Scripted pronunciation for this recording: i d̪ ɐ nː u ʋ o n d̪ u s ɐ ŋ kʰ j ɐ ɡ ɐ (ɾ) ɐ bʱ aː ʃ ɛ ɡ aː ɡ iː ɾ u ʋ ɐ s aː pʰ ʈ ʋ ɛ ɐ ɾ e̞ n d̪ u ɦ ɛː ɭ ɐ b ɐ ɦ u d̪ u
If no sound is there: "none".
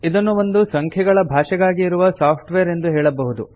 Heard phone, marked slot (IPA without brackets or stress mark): ɭ